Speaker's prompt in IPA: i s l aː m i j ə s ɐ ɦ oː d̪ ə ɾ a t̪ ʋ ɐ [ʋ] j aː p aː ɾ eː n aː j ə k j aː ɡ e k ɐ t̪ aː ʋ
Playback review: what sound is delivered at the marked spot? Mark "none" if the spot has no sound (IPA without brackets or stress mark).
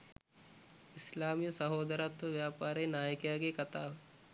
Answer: ʋ